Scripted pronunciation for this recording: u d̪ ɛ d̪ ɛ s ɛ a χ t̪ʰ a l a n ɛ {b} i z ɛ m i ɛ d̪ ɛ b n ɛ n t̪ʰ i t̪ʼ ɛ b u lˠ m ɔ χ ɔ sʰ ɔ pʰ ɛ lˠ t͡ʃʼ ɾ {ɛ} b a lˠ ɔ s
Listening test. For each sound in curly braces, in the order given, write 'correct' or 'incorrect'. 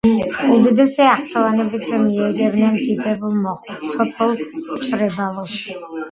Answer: correct, correct

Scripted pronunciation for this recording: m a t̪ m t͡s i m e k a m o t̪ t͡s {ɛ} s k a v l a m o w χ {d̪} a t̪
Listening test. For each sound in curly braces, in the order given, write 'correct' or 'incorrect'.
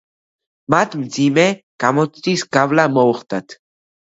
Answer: incorrect, incorrect

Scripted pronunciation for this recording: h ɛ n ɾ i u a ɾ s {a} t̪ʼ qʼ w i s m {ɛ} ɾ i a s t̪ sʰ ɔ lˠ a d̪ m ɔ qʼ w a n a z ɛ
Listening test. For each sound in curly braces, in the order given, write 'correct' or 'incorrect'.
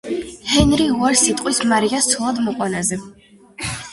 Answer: incorrect, incorrect

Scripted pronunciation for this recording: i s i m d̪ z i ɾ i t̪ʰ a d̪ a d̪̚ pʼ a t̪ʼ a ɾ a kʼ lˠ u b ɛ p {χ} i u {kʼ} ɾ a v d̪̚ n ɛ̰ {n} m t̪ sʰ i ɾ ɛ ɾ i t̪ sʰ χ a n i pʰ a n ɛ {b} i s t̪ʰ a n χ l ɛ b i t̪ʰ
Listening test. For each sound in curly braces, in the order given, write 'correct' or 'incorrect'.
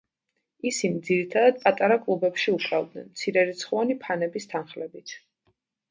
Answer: incorrect, correct, correct, correct

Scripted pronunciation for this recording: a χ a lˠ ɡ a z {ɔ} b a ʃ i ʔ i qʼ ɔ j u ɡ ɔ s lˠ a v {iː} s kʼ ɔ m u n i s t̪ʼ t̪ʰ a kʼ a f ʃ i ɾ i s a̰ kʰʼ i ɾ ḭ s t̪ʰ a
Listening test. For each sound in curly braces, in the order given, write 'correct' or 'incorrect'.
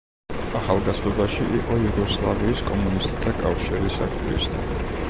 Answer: correct, correct

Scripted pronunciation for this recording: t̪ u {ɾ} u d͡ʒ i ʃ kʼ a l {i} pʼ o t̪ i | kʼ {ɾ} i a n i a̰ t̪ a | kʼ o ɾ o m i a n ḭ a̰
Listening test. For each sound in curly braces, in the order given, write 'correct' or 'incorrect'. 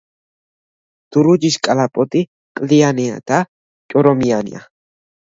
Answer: correct, incorrect, incorrect

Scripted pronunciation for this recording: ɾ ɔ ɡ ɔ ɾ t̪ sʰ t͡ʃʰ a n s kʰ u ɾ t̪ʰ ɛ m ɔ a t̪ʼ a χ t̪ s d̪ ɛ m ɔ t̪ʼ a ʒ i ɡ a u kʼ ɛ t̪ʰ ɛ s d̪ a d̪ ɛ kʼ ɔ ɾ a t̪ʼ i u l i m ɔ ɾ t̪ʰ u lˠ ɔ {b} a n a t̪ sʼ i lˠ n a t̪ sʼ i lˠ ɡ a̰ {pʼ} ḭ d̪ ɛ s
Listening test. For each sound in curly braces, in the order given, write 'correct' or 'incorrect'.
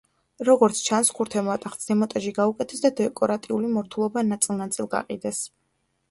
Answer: correct, incorrect

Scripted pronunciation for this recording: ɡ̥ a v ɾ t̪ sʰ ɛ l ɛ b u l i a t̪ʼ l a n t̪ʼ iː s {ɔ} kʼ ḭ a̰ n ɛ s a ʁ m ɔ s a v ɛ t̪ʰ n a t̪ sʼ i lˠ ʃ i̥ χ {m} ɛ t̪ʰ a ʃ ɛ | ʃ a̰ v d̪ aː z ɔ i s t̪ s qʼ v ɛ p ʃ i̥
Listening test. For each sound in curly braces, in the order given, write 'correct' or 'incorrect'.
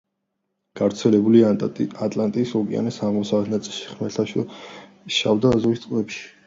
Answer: correct, correct

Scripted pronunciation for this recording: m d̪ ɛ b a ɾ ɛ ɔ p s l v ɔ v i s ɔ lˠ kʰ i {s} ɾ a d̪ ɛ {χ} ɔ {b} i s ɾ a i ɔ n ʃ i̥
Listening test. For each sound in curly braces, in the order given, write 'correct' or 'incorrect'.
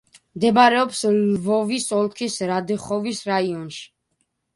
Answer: correct, correct, incorrect

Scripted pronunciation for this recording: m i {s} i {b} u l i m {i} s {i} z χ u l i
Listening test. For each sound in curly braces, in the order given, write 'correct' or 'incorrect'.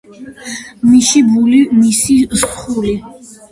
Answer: incorrect, correct, correct, correct

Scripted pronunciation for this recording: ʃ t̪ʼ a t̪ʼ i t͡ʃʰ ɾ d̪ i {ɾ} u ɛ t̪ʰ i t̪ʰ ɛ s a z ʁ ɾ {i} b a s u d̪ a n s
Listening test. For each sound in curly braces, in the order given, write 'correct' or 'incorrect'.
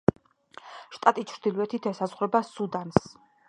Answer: incorrect, incorrect

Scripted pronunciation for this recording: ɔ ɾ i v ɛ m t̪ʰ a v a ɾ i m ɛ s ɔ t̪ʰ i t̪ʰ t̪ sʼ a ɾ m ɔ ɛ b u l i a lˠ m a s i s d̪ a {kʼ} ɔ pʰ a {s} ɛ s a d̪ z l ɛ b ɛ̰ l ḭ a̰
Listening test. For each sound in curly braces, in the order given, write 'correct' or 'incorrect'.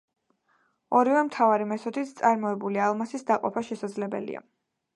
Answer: incorrect, incorrect

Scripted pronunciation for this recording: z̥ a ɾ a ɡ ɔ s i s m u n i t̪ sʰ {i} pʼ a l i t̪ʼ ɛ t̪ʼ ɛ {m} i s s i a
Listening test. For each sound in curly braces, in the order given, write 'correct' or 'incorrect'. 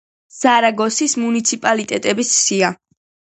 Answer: correct, incorrect

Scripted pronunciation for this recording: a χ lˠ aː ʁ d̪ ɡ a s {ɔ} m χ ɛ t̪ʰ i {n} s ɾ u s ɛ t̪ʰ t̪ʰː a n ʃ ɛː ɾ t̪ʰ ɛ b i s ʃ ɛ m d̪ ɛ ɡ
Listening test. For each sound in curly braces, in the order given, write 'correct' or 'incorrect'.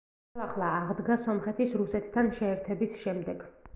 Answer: correct, incorrect

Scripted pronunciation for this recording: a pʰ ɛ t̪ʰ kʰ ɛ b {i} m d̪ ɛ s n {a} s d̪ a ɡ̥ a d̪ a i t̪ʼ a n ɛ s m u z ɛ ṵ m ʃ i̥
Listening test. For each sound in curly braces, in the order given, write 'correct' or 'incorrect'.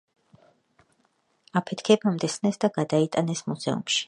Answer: incorrect, incorrect

